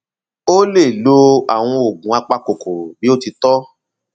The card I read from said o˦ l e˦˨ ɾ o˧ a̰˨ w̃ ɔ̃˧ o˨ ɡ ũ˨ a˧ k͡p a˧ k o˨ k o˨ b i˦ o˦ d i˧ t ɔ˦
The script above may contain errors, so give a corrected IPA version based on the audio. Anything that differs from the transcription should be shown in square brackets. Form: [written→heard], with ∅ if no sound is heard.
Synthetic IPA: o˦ l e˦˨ [ɾ→l] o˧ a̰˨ w̃ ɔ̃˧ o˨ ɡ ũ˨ a˧ k͡p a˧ k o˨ k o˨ b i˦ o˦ [d→t] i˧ t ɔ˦